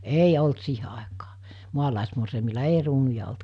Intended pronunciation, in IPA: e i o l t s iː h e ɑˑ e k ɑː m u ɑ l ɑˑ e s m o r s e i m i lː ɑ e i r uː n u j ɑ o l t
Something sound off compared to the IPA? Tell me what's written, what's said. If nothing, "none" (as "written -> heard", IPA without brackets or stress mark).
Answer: none